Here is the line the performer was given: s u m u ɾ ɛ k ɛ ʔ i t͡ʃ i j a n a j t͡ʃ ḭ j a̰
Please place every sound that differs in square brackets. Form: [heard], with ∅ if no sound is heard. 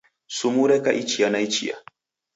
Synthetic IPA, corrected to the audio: s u m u ɾ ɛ k [a] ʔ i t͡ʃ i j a n a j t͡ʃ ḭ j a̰